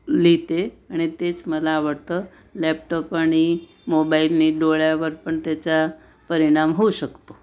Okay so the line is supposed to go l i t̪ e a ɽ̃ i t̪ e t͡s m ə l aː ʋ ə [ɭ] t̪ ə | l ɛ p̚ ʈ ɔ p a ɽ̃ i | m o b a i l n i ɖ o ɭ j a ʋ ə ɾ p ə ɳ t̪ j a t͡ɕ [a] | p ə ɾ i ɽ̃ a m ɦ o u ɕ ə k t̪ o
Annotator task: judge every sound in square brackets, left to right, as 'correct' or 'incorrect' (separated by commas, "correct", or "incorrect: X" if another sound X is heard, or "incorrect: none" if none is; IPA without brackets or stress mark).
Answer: incorrect: ɽ, correct